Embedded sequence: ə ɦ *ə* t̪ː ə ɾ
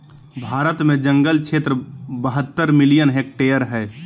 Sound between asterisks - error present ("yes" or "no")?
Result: no